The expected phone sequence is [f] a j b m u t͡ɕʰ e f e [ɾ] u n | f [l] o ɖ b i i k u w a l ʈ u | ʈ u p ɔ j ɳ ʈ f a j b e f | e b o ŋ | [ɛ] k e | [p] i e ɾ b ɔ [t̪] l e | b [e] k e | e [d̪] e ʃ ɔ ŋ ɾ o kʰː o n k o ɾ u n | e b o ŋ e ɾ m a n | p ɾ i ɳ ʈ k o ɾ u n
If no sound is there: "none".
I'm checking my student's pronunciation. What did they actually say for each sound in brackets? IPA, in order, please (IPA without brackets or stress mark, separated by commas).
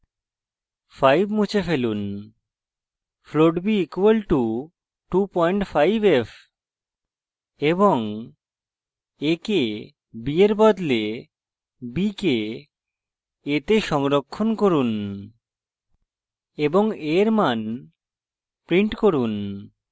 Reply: f, l, l, e, b, d̪, i, t̪